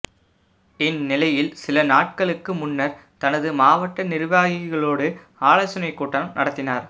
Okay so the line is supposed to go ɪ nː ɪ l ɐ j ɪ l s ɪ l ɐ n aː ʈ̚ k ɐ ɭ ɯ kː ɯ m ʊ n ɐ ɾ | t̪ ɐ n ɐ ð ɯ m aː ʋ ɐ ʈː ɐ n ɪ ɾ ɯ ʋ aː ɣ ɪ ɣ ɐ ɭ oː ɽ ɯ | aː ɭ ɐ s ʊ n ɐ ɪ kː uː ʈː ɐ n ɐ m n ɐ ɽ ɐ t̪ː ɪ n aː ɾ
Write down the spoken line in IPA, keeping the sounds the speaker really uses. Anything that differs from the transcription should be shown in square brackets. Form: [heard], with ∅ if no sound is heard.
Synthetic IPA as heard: ɪ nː ɪ l ɐ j ɪ l s ɪ l ɐ n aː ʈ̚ k ɐ ɭ ɯ kː ɯ m ʊ [nː] ɐ ɾ | t̪ ɐ n ɐ ð ɯ m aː ʋ ɐ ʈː ɐ n ɪ ɾ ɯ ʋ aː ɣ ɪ ɣ ɐ ɭ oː ɽ ɯ | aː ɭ ɐ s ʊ n ɐ ɪ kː uː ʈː ɐ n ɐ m n ɐ ɽ ɐ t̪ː ɪ n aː ɾ